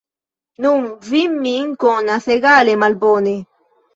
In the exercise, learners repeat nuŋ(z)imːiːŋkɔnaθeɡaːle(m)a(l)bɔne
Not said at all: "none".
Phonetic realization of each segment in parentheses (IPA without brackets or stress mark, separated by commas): v, m, l